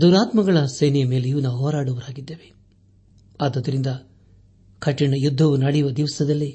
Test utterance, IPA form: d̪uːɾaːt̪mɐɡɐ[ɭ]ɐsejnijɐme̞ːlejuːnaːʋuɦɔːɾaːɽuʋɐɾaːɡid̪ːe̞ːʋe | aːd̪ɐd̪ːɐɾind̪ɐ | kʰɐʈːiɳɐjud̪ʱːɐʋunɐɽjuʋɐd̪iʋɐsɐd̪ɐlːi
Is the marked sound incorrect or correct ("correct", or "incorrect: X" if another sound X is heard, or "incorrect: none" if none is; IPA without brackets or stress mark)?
correct